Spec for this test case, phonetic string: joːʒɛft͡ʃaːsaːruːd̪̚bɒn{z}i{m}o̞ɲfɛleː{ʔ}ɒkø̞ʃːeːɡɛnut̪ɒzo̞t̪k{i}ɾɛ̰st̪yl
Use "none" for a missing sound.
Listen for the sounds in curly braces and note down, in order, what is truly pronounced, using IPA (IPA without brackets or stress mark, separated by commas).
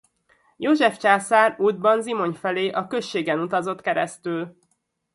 z, m, ʔ, ɛ